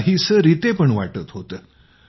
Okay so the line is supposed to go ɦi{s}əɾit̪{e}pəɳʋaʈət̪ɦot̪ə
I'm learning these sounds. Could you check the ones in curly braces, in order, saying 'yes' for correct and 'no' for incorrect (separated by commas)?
yes, yes